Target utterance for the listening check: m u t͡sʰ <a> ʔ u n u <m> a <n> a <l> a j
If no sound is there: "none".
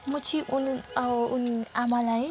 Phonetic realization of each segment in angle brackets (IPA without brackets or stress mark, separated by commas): i, n, m, l